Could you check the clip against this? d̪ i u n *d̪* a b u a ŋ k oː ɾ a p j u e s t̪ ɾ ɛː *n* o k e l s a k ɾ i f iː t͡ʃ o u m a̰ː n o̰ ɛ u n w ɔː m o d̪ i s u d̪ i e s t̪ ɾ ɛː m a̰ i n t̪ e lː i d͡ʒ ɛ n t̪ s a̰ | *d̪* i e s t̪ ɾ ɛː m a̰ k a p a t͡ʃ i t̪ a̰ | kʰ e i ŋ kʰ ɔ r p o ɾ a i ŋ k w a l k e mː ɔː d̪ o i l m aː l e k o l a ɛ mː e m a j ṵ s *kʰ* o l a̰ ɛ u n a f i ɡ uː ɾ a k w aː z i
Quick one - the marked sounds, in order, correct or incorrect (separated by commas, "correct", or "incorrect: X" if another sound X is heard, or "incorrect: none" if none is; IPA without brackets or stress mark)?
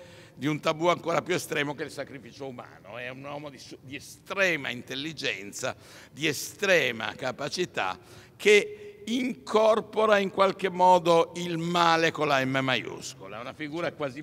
incorrect: t̪, incorrect: m, correct, incorrect: k